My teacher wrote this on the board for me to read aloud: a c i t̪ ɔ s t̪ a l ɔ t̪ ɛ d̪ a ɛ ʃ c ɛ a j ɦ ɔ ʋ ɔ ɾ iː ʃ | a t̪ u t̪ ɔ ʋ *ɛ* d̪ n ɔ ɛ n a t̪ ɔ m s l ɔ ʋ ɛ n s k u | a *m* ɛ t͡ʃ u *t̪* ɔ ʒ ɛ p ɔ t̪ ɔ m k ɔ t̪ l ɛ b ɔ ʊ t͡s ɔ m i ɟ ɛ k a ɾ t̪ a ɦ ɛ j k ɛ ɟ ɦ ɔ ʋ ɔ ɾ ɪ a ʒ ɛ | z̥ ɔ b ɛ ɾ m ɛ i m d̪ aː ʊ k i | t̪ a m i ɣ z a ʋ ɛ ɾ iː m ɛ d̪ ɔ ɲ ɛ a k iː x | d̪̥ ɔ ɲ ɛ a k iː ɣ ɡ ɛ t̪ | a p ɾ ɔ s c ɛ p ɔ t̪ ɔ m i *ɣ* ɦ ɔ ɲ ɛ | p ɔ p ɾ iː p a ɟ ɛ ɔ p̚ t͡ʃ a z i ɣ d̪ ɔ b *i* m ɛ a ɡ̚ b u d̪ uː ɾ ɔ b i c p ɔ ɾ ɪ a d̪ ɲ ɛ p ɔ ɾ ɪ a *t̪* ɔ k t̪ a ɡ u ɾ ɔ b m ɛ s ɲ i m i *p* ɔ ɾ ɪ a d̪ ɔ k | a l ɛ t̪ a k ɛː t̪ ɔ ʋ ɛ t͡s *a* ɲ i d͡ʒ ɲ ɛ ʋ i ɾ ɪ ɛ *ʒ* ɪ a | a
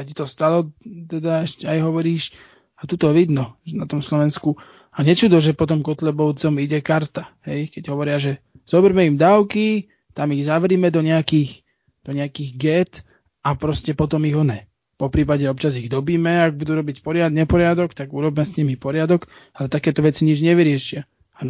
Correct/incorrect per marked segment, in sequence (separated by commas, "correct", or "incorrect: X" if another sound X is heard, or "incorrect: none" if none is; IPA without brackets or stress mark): incorrect: i, incorrect: ɲ, incorrect: d̪, correct, incorrect: iː, incorrect: d̪, correct, incorrect: i, incorrect: ʃ